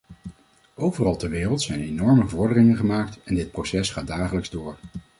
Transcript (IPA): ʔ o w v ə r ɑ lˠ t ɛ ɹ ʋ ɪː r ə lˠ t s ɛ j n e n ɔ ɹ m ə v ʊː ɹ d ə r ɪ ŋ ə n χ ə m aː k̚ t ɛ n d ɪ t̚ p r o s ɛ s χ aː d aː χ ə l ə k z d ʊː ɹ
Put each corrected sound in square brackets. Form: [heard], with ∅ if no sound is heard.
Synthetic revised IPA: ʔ o w v ə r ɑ lˠ t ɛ ɹ ʋ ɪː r ə lˠ t s ɛ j n e n ɔ ɹ m ə v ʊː ɹ d ə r ɪ ŋ ə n χ ə m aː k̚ t ɛ n d ɪ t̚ p r o s ɛ s χ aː d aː χ ə l ə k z d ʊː ɹ